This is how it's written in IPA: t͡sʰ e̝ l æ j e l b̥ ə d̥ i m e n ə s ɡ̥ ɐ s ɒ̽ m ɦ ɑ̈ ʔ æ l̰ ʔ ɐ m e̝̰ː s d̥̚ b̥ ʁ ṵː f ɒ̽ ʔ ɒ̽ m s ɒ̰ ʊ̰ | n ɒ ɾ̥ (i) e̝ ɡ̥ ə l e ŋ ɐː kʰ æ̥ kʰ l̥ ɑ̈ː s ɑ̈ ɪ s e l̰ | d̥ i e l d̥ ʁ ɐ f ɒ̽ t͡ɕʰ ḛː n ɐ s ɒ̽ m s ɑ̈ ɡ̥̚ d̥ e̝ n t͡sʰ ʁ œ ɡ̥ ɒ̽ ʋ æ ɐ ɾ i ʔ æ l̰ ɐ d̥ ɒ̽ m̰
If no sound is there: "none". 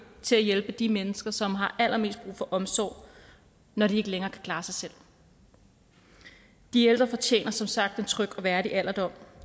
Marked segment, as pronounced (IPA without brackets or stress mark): i